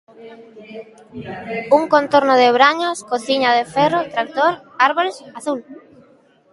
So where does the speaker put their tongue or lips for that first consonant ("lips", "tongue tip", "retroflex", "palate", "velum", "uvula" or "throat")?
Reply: velum